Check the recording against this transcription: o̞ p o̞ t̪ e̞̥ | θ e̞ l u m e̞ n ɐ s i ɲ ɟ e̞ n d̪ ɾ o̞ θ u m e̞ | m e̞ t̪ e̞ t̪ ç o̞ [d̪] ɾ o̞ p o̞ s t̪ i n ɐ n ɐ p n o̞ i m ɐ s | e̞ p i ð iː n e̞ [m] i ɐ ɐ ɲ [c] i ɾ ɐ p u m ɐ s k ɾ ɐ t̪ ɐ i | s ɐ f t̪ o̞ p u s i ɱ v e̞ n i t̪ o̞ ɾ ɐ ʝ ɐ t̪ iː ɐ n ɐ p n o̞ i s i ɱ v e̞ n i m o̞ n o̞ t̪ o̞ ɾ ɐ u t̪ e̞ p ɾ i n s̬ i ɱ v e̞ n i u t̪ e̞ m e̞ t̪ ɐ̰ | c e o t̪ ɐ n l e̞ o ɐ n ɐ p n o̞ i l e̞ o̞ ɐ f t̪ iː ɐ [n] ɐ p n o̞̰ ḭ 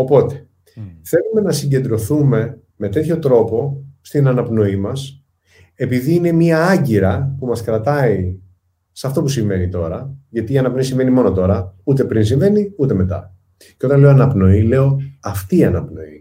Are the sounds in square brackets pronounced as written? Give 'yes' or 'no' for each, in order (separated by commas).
no, yes, no, yes